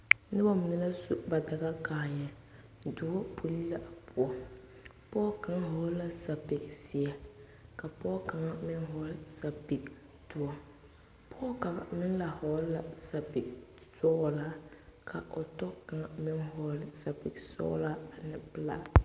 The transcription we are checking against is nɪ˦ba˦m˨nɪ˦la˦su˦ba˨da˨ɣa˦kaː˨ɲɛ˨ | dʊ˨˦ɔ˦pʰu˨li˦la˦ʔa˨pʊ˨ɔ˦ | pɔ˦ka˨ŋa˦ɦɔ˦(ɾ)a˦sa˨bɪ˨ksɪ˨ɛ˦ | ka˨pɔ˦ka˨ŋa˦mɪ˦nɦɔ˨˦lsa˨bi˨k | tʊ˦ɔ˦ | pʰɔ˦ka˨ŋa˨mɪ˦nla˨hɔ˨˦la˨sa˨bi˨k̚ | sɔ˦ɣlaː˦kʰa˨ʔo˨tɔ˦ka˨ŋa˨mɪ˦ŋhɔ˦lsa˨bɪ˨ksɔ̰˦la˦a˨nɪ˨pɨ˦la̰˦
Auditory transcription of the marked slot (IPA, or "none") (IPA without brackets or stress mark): l